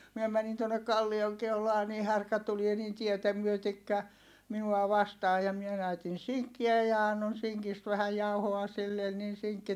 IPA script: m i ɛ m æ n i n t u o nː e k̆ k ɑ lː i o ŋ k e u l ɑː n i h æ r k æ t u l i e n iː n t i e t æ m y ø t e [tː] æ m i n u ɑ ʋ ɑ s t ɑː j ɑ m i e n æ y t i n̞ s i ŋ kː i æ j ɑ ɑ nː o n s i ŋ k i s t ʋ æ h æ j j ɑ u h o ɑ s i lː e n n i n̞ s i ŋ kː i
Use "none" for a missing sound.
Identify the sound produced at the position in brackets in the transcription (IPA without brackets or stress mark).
kː